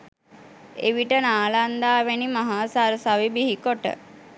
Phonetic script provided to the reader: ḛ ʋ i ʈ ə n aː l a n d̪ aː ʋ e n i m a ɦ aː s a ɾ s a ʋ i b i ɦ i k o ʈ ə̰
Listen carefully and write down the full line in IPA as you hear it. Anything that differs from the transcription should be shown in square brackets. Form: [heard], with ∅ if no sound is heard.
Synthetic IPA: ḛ ʋ i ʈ ə n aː l a n d̪ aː ʋ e n i m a ɦ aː s a ɾ s a ʋ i b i ɦ i k o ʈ ə̰